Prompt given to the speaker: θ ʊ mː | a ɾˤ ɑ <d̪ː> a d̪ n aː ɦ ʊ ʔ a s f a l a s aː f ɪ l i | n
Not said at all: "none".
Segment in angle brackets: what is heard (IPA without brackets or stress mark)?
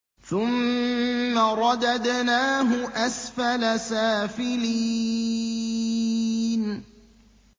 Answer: d̪